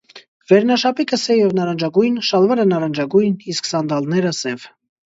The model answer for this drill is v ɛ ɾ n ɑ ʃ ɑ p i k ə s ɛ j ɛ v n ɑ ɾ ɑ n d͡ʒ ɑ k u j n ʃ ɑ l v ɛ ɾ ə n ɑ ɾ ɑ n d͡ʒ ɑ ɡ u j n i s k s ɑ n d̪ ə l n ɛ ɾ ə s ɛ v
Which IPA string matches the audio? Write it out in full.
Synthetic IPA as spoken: v ɛ ɾ n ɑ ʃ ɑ p i k ə s ɛ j ɛ v n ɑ ɾ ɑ n d͡ʒ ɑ ɡ u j n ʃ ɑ l v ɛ ɾ ə n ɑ ɾ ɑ n d͡ʒ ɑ ɡ u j n i s k s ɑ n d̪ ɑ l n ɛ ɾ ə s ɛ v